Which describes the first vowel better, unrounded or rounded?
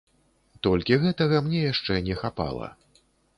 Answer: rounded